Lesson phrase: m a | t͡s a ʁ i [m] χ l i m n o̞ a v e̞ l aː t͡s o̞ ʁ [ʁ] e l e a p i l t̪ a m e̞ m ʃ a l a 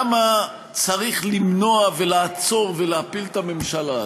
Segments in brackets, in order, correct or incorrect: incorrect: none, incorrect: v

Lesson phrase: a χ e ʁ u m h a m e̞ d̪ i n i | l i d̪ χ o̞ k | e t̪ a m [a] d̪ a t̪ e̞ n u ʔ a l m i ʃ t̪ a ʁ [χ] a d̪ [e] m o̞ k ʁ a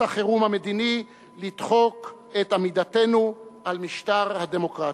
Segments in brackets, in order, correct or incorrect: incorrect: i, incorrect: h, correct

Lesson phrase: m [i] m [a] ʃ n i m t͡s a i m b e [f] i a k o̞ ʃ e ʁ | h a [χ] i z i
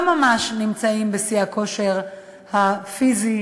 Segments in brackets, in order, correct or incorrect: incorrect: a, correct, incorrect: s, incorrect: f

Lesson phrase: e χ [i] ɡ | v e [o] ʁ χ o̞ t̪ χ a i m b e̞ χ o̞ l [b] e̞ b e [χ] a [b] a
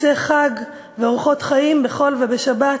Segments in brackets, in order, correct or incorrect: incorrect: a, correct, incorrect: v, incorrect: ʃ, correct

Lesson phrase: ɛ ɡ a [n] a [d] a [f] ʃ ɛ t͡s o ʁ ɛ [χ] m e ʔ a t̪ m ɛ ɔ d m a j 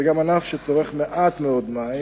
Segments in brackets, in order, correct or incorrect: incorrect: m, incorrect: n, correct, correct

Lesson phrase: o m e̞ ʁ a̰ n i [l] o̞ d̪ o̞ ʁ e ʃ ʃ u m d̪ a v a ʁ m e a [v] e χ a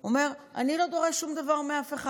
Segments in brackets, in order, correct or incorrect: correct, incorrect: f

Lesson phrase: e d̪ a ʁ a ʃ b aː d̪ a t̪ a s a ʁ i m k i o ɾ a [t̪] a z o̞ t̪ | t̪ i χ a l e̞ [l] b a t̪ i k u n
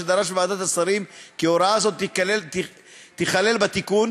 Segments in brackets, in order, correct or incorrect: incorrect: none, correct

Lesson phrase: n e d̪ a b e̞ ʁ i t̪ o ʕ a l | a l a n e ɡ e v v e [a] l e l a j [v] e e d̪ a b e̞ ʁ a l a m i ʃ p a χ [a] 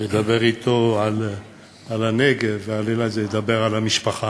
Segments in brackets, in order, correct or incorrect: correct, incorrect: z, correct

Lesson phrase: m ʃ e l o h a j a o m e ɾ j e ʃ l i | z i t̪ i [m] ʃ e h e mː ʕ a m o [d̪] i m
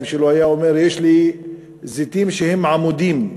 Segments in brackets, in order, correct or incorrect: correct, correct

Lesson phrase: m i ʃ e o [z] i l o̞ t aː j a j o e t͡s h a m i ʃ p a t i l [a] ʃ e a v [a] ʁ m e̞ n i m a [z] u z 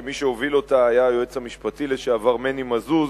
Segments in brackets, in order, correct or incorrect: incorrect: v, incorrect: e, correct, correct

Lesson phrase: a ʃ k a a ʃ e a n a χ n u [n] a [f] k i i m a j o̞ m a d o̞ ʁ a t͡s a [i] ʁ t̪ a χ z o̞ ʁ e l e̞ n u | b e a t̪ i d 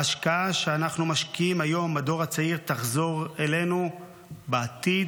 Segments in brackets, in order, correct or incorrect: incorrect: m, incorrect: ʃ, correct

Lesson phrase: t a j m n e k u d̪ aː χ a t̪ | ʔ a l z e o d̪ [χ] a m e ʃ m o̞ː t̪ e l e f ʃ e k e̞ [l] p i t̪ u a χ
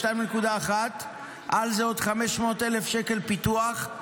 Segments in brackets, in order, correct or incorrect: correct, correct

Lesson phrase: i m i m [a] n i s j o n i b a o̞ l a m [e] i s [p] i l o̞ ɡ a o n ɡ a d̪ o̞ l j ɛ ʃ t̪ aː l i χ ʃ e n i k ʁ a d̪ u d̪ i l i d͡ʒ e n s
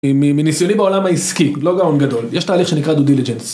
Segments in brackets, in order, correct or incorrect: incorrect: i, incorrect: a, incorrect: k

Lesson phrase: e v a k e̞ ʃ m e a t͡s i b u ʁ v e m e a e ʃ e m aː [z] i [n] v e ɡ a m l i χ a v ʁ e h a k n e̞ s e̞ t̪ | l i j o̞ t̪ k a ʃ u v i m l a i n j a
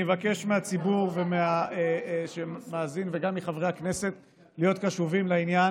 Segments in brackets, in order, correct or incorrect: correct, correct

